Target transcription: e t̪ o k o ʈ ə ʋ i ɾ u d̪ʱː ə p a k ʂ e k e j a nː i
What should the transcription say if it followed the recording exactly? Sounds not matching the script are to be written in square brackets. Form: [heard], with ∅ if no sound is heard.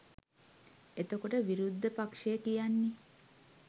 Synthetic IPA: e t̪ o k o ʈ ə ʋ i ɾ u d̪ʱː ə p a k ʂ e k [i] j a nː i